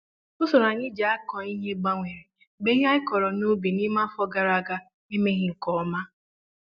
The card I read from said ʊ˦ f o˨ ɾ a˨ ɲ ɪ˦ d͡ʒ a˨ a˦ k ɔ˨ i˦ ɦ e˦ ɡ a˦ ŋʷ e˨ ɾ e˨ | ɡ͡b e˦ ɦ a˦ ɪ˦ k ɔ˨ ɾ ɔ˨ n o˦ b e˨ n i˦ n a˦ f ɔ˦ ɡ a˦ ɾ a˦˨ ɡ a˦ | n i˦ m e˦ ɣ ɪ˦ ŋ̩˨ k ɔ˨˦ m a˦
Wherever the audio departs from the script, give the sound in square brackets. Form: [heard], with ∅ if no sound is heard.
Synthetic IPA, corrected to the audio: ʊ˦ [s] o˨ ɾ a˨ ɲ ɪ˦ d͡ʒ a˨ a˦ k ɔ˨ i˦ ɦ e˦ [ɡ͡b] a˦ ŋʷ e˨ ɾ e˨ | ɡ͡b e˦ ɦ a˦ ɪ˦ k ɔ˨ ɾ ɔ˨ n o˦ b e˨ n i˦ [m] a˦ f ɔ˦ ɡ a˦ ɾ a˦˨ ɡ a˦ | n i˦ m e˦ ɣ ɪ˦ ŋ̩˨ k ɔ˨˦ m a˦